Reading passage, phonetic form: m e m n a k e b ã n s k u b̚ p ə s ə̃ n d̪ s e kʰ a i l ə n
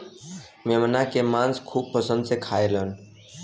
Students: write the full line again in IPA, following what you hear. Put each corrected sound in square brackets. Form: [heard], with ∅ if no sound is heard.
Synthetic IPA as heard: m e m n a k e [m] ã n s [kʰ] u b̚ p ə s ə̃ n d̪ s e kʰ a [e] l ə n